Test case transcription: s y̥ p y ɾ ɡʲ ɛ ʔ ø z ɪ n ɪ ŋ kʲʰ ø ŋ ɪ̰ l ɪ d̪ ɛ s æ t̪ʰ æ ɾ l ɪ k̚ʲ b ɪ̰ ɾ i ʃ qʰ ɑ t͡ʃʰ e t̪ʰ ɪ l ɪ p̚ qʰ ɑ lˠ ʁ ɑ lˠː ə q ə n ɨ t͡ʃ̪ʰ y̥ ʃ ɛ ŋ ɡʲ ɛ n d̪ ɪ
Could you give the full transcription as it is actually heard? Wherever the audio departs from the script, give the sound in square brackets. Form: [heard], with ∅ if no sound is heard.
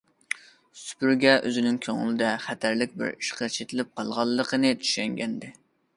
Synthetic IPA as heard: s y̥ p y ɾ ɡʲ ɛ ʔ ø z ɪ n ɪ ŋ kʲʰ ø ŋ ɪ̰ l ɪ d̪ ɛ [χ] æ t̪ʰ æ ɾ l ɪ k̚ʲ b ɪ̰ ɾ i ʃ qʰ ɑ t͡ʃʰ e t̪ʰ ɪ l ɪ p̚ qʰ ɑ lˠ ʁ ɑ lˠː ə q ə n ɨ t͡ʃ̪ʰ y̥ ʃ ɛ ŋ ɡʲ ɛ n d̪ ɪ